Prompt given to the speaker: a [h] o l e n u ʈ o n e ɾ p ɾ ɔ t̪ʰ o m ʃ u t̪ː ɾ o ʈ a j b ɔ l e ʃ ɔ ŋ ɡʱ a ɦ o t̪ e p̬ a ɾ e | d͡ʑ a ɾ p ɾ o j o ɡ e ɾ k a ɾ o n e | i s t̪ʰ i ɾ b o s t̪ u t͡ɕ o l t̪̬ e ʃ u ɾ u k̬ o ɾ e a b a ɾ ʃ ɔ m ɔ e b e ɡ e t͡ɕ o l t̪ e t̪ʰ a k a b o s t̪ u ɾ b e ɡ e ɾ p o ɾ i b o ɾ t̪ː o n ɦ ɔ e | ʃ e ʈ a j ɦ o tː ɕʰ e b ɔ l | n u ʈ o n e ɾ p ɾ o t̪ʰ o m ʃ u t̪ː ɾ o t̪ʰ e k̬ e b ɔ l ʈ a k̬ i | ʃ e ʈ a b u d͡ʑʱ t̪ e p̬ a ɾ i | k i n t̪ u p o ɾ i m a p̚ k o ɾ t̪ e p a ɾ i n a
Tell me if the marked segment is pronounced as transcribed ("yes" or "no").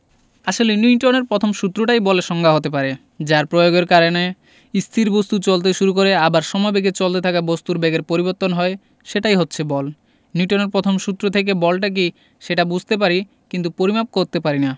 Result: no